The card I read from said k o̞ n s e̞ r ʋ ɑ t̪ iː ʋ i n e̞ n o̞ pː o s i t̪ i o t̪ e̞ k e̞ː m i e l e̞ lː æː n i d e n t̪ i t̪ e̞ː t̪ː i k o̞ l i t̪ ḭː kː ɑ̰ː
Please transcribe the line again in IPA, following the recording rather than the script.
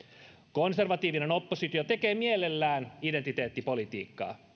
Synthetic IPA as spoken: k o̞ n s e̞ r ʋ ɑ t̪ iː ʋ i n e̞ n o̞ pː o s i t̪ i o t̪ e̞ k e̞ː m i e l e̞ lː æː n i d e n t̪ i t̪ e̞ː t̪ː i p o̞ l i t̪ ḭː kː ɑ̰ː